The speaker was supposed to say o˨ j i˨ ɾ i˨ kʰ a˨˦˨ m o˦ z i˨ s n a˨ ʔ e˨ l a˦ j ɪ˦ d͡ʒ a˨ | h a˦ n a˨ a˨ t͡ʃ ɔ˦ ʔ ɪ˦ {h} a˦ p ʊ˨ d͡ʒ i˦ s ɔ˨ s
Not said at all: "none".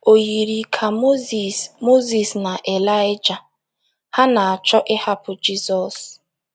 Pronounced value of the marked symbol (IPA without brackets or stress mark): h